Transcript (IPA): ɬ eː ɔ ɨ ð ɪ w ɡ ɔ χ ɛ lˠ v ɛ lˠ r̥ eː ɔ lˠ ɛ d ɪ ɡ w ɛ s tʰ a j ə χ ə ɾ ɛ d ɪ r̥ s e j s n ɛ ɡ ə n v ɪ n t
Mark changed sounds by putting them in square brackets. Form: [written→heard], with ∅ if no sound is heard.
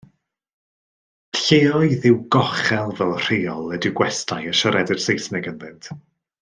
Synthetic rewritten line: ɬ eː ɔ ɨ ð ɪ w ɡ ɔ χ ɛ lˠ v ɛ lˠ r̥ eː ɔ lˠ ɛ d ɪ ɡ w ɛ s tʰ a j ə [χ→ʃ] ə ɾ ɛ d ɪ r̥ s e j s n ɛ ɡ ə n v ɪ n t